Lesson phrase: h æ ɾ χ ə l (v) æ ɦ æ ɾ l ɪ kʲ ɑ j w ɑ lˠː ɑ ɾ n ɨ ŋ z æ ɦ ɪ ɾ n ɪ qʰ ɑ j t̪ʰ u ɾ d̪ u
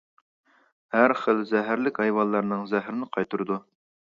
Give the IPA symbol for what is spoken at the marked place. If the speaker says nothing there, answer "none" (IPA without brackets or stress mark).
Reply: z